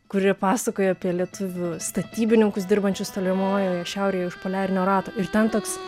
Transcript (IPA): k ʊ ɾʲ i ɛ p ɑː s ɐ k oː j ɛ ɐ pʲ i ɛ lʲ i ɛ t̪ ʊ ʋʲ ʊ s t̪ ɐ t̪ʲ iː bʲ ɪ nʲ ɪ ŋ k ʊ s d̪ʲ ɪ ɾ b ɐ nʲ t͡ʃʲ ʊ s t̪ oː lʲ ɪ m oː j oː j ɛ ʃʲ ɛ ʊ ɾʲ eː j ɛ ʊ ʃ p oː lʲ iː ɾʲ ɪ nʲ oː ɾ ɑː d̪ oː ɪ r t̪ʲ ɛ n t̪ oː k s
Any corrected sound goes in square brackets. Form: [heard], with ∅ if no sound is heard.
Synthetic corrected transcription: k ʊ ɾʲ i ɛ p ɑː s ɐ k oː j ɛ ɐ pʲ i ɛ lʲ i ɛ t̪ ʊ ʋʲ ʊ s t̪ ɐ t̪ʲ iː bʲ ɪ nʲ ɪ ŋ k ʊ s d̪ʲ ɪ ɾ b ɐ nʲ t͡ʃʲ ʊ s t̪ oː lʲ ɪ m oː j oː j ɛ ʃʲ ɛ ʊ ɾʲ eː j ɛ ʊ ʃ p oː lʲ [æː] ɾʲ ɪ nʲ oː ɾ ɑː [t̪] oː ɪ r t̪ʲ ɛ n t̪ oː k s